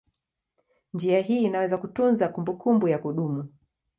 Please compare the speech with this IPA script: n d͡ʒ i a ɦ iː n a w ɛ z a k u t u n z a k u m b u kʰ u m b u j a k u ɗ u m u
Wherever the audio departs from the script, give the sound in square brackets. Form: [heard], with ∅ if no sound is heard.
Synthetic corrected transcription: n d͡ʒ i a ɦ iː n a w ɛ z a k u t u n z a k u m b u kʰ u m b u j a k u ɗ u m u